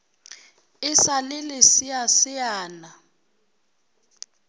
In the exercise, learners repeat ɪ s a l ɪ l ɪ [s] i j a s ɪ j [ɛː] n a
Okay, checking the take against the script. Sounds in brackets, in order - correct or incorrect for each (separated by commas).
correct, incorrect